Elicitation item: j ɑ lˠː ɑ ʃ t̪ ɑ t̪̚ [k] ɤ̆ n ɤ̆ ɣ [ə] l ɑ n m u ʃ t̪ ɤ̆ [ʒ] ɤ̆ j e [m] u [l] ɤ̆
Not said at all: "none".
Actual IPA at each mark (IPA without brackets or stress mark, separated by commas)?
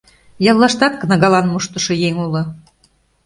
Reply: k, ɑ, ʃ, ŋ, l